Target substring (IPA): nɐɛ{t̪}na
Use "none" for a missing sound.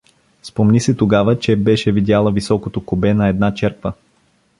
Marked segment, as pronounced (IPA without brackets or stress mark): d̪